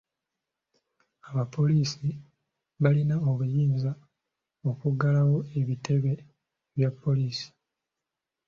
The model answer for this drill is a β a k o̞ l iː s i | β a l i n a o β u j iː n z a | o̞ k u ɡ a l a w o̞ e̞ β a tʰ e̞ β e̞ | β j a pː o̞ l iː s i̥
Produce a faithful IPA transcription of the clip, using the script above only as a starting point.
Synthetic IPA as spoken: a β a p o̞ l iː s i | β a l i n a o β u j iː n z a | o̞ k u ɡ a l a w o̞ e̞ β i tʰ e̞ β e̞ | β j a pː o̞ l iː s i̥